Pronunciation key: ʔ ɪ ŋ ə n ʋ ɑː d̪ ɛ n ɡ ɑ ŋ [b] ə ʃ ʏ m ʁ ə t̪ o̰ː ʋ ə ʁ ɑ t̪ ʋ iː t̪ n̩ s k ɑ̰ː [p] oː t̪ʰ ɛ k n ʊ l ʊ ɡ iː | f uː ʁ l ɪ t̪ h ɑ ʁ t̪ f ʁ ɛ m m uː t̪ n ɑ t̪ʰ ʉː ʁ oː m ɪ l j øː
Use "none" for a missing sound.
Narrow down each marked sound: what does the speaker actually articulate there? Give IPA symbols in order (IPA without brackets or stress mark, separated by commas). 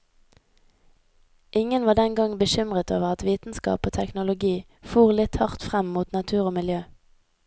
b, p